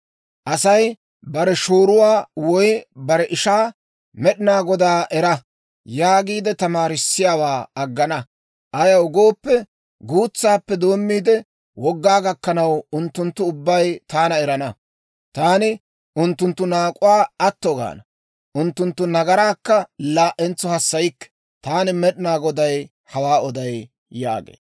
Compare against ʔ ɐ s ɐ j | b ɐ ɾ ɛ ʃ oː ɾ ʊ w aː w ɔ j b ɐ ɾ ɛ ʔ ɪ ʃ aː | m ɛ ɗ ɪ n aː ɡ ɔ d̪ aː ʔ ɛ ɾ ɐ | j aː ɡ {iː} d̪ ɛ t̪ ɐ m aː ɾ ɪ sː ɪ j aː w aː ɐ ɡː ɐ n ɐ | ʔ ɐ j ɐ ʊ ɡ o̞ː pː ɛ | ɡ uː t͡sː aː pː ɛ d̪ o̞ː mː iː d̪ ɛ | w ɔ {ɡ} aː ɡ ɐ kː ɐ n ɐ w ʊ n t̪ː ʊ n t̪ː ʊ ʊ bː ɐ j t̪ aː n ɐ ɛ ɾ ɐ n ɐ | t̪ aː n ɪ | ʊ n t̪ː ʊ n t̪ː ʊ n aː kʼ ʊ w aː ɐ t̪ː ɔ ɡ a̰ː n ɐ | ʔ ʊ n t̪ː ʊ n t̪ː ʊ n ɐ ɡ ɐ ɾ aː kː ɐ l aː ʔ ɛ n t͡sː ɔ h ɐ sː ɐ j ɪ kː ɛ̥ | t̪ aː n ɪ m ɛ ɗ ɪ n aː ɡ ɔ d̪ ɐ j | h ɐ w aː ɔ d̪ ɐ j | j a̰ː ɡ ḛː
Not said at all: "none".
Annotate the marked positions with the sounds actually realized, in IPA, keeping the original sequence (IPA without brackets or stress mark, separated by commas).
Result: iː, ɡː